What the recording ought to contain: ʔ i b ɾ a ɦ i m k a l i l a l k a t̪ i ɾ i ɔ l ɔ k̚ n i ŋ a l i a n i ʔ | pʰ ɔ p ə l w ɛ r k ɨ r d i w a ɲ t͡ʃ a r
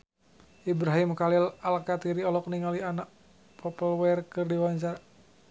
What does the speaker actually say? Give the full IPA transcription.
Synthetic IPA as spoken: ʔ i b ɾ a ɦ i m k a l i l a l k a t̪ i ɾ i ɔ l ɔ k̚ n i ŋ a l i a n a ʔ | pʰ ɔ p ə l w ɛ r k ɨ r d i w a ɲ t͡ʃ a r